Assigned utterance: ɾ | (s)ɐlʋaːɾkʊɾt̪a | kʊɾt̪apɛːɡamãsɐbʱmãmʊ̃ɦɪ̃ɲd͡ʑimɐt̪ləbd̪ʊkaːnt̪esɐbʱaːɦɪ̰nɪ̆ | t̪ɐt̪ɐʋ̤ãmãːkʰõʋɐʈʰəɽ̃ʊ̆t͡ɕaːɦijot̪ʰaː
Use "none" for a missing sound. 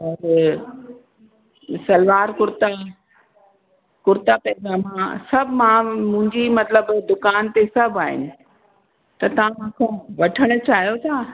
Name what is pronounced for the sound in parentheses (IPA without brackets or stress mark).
s